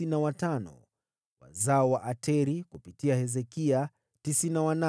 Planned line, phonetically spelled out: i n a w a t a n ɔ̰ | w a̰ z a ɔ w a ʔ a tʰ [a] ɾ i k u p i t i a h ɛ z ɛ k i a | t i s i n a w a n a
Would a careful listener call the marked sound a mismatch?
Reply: yes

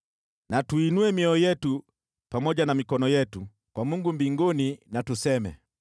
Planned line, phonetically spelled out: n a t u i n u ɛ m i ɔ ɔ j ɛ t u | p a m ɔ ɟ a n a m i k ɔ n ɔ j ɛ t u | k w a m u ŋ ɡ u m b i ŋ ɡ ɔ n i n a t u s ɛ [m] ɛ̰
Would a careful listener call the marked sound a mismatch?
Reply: no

